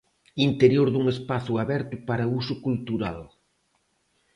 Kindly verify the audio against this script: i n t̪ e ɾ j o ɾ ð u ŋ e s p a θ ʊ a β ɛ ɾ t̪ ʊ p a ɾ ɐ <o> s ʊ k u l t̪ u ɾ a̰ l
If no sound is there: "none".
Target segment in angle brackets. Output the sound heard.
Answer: u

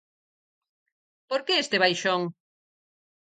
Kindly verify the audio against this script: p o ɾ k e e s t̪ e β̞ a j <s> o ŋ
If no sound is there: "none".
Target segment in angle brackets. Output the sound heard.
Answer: ʃ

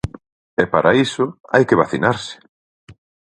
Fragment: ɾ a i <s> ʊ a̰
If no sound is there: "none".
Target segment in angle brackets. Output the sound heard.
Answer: s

